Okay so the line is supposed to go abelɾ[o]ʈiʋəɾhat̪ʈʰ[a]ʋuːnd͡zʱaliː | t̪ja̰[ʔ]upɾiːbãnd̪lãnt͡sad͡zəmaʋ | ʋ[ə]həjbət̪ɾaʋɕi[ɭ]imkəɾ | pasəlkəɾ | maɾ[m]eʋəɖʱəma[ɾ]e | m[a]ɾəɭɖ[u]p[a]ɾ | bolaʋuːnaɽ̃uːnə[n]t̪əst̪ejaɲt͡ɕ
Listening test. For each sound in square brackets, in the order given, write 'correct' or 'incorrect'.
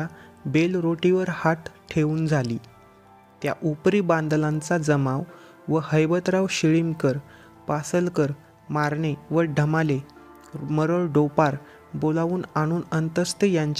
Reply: correct, incorrect, correct, correct, correct, incorrect, incorrect, incorrect, incorrect, correct, correct

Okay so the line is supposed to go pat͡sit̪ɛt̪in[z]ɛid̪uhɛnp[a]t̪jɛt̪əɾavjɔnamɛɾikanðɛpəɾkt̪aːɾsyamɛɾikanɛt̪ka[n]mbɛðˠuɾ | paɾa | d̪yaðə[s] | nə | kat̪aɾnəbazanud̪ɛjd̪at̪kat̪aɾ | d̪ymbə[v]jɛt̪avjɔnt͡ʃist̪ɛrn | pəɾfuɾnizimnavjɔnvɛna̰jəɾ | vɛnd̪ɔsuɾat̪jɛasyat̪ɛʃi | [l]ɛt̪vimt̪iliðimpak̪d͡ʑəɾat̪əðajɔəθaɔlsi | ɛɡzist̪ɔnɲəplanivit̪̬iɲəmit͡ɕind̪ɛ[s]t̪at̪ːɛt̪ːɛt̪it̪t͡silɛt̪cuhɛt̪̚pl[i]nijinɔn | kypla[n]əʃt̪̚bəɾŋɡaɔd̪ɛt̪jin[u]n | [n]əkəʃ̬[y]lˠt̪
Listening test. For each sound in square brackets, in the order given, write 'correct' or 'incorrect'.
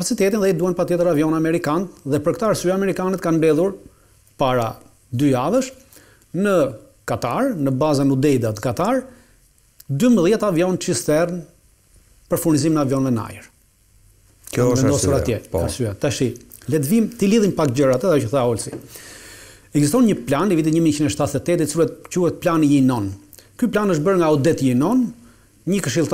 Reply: incorrect, correct, correct, incorrect, incorrect, correct, incorrect, incorrect, correct, incorrect, incorrect, incorrect

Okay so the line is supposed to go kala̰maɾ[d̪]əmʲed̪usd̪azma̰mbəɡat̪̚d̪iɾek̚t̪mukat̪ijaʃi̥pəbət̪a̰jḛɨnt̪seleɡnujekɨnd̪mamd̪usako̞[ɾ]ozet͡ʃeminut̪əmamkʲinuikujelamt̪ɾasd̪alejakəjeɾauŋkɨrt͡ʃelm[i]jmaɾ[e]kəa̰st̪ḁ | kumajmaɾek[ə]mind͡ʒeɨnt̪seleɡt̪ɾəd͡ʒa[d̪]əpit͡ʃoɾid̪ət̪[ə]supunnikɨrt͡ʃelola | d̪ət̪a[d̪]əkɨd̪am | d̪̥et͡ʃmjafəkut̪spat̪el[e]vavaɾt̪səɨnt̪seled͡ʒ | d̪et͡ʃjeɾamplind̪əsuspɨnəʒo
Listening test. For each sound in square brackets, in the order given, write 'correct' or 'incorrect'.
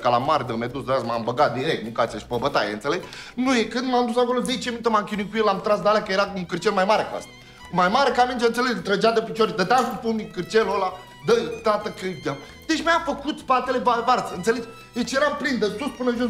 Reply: correct, incorrect, incorrect, correct, incorrect, correct, incorrect, incorrect, correct

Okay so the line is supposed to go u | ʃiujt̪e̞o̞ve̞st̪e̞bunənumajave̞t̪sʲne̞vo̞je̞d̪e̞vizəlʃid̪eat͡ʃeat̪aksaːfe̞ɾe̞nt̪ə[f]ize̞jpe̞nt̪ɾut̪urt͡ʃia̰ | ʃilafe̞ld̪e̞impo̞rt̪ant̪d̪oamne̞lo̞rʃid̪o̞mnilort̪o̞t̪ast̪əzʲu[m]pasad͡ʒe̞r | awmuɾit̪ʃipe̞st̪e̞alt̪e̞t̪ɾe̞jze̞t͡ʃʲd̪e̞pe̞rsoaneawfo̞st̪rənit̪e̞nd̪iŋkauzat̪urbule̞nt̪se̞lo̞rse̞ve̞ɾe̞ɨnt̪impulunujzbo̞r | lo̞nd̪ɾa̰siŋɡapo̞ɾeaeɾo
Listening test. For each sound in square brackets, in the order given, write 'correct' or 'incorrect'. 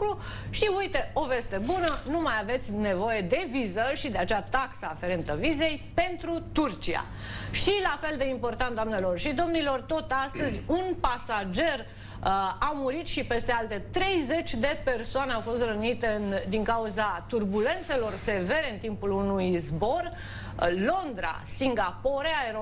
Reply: incorrect, incorrect

